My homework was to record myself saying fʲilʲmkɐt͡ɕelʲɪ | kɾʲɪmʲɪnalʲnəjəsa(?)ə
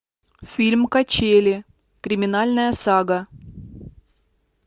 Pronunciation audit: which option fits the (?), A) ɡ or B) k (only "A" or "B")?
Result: A